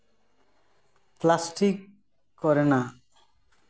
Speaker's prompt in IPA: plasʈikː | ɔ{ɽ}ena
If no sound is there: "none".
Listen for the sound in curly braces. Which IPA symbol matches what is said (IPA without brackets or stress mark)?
ɾ